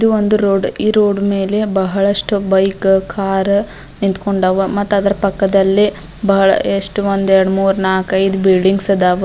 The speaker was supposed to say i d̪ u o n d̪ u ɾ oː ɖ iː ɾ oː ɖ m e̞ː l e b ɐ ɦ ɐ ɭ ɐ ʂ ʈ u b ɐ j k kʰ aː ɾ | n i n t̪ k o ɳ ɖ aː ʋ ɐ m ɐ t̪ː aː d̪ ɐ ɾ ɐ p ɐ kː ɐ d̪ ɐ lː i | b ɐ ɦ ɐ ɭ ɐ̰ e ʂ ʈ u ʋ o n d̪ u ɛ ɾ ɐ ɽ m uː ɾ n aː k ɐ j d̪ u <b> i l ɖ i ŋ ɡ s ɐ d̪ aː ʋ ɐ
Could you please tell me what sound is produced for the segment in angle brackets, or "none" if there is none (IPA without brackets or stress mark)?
b